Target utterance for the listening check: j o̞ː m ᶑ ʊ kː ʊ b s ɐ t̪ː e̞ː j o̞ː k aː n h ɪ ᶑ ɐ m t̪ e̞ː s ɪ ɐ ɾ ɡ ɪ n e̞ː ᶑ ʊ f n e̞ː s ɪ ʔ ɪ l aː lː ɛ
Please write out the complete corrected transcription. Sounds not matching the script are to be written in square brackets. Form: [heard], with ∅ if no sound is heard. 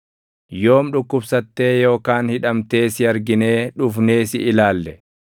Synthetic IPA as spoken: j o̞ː m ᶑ ʊ kː ʊ b s ɐ t̪ː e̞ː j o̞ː k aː n h ɪ ᶑ ɐ m t̪ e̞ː s ɪ ɐ ɾ ɡ ɪ n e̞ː ᶑ ʊ f n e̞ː s ɪ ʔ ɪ l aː lː ɛ

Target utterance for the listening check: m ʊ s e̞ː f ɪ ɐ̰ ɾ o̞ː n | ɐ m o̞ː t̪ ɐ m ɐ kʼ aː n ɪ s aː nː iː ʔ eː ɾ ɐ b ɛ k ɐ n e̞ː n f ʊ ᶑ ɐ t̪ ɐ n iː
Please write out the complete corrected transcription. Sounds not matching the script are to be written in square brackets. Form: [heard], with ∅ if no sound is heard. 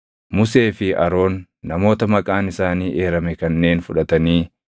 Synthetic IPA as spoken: m ʊ s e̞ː f ɪ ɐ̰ ɾ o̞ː [nː] | ɐ m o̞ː t̪ ɐ m ɐ kʼ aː n ɪ s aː [n] iː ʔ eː ɾ ɐ [m] ɛ k ɐ [nː] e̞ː n f ʊ ᶑ ɐ t̪ ɐ n iː

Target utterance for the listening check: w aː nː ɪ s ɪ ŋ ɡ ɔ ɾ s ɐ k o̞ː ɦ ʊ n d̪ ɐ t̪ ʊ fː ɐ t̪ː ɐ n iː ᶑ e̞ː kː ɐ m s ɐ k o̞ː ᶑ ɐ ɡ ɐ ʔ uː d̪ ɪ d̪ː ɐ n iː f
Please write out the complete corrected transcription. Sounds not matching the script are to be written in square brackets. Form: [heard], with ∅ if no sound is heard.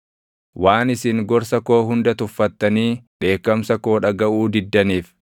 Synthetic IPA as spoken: w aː [n] ɪ s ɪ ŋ ɡ ɔ ɾ s ɐ k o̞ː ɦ ʊ n d̪ ɐ t̪ ʊ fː ɐ t̪ː ɐ n iː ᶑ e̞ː kː ɐ m s ɐ k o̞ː ᶑ ɐ ɡ ɐ ʔ uː d̪ ɪ d̪ː ɐ n iː f

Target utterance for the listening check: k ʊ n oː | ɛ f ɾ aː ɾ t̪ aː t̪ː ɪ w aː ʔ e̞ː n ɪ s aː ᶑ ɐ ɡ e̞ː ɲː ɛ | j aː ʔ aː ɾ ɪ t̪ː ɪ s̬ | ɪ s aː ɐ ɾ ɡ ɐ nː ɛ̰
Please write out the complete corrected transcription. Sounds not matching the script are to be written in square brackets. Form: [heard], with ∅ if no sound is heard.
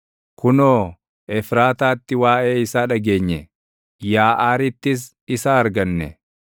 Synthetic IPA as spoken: k ʊ n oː | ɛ f ɾ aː [∅] t̪ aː t̪ː ɪ w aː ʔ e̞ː [∅] ɪ s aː ᶑ ɐ ɡ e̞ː ɲː ɛ | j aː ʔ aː ɾ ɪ t̪ː ɪ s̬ | ɪ s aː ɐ ɾ ɡ ɐ nː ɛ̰

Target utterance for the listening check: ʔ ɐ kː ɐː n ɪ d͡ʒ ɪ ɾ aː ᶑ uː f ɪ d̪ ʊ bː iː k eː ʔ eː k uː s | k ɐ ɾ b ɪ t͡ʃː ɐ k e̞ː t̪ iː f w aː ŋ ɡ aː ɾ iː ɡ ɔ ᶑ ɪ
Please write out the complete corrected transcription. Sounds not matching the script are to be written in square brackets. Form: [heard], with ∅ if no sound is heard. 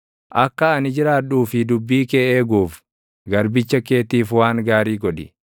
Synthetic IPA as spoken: ʔ ɐ kː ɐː n ɪ d͡ʒ ɪ ɾ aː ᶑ uː f ɪ d̪ ʊ bː iː k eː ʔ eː [ɡ] uː [f] | [ɡ] ɐ ɾ b ɪ t͡ʃː ɐ k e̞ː t̪ iː f w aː ŋ ɡ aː ɾ iː ɡ ɔ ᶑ ɪ

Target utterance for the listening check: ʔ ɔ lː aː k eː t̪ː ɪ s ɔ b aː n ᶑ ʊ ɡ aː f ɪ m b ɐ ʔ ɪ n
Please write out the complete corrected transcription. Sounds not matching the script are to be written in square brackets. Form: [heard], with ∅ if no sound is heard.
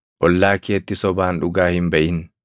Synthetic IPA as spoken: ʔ ɔ lː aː k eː t̪ː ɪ s ɔ b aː n ᶑ ʊ ɡ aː [h] ɪ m b ɐ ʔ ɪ n

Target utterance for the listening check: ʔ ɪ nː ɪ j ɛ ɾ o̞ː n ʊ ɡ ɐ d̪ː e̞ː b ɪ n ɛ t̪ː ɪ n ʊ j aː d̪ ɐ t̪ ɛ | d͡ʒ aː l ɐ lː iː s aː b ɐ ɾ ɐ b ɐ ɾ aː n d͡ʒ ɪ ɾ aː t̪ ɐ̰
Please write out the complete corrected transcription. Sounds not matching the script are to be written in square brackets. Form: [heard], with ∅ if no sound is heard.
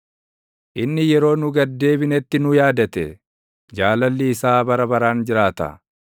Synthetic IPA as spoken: ʔ ɪ nː ɪ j ɛ ɾ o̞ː n ʊ ɡ ɐ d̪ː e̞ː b ɪ n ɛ t̪ː ɪ n ʊ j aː d̪ ɐ t̪ ɛ | d͡ʒ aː l ɐ lː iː s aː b ɐ ɾ ɐ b ɐ ɾ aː n d͡ʒ ɪ ɾ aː t̪ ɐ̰

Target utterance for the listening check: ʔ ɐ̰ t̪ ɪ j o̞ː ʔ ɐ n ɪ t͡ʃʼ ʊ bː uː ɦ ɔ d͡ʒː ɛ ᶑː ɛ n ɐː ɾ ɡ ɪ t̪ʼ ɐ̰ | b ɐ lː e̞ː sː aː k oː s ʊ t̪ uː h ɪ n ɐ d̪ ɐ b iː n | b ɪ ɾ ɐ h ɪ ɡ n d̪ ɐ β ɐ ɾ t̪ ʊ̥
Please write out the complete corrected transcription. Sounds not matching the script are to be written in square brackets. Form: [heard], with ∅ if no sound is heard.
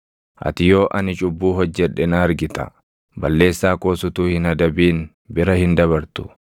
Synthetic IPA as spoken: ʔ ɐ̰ t̪ ɪ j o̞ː ʔ ɐ n ɪ t͡ʃʼ ʊ bː uː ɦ ɔ d͡ʒː ɛ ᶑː ɛ n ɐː ɾ ɡ ɪ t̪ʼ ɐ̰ | b ɐ lː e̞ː sː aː k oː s ʊ t̪ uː h ɪ n ɐ d̪ ɐ b iː n | b ɪ ɾ ɐ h ɪ [∅] n d̪ ɐ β ɐ ɾ t̪ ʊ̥

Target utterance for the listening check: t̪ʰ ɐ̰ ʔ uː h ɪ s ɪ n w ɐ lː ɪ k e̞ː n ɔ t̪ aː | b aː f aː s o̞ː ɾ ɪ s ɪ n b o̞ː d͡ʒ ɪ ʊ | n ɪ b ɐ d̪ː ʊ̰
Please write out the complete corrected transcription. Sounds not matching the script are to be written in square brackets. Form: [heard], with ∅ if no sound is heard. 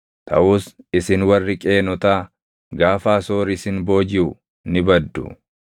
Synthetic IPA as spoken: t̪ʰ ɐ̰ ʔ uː [s] ɪ s ɪ n w ɐ [rː] ɪ [kʼ] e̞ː n ɔ t̪ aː | [ɡ] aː f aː s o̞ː ɾ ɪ s ɪ n b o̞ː d͡ʒ ɪ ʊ | n ɪ b ɐ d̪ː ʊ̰

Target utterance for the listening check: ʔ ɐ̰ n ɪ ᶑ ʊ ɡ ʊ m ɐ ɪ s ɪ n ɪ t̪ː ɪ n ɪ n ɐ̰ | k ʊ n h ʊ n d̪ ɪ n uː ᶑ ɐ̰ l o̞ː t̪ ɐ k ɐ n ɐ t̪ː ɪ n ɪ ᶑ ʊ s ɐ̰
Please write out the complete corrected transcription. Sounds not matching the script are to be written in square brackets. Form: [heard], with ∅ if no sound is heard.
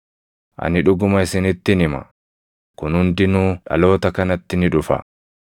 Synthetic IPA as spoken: ʔ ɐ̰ n ɪ ᶑ ʊ ɡ ʊ m ɐ ɪ s ɪ n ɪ t̪ː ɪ n ɪ [m] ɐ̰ | k ʊ n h ʊ n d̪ ɪ n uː ᶑ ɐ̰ l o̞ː t̪ ɐ k ɐ n ɐ t̪ː ɪ n ɪ ᶑ ʊ [f] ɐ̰

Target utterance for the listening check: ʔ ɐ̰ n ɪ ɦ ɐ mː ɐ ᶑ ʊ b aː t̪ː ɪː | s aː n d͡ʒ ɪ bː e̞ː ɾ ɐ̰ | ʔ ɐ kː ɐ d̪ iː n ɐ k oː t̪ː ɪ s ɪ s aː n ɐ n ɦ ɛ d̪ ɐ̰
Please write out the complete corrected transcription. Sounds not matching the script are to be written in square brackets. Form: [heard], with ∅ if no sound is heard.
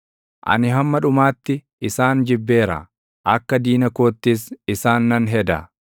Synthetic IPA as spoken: ʔ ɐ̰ n ɪ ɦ ɐ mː ɐ ᶑ ʊ [m] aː t̪ː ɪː | s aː n d͡ʒ ɪ bː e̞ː ɾ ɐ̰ | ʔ ɐ kː ɐ d̪ iː n ɐ k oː t̪ː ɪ s ɪ s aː [nː] ɐ n ɦ ɛ d̪ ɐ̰

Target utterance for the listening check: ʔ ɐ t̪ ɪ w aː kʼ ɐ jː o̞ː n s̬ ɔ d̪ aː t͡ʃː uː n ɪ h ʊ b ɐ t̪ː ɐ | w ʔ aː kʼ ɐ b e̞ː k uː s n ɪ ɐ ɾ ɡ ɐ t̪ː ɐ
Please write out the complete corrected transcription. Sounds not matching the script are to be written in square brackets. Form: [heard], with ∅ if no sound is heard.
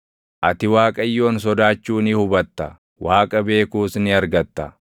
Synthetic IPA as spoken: ʔ ɐ t̪ ɪ w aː kʼ ɐ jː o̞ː n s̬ ɔ d̪ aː t͡ʃː uː n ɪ h ʊ b ɐ t̪ː ɐ | w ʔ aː kʼ ɐ b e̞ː k uː s n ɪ ɐ ɾ ɡ ɐ t̪ː ɐ

